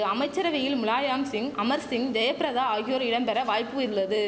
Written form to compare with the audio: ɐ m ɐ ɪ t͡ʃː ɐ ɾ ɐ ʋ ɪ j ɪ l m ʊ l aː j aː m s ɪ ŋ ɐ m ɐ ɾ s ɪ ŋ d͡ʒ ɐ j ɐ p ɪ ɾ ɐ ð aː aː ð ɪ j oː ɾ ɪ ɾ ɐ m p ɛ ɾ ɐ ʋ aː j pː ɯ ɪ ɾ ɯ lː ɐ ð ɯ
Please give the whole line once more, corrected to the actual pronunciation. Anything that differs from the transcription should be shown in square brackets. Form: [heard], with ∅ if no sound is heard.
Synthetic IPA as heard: ɐ m ɐ ɪ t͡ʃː ɐ ɾ ɐ ʋ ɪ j ɪ l m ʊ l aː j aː m s ɪ ŋ ɐ m ɐ ɾ s ɪ ŋ d͡ʒ ɐ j ɐ p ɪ ɾ ɐ ð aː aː [ɣ] ɪ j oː ɾ ɪ [ɽ] ɐ m p ɛ ɾ ɐ ʋ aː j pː ɯ ɪ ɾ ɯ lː ɐ ð ɯ